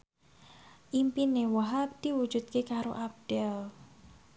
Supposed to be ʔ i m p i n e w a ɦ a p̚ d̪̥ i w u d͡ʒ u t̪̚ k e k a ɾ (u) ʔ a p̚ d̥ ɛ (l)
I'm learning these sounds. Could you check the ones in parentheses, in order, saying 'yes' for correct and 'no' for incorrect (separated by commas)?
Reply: no, yes